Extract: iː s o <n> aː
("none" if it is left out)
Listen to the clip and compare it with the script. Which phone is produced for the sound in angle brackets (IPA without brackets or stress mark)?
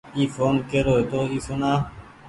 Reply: n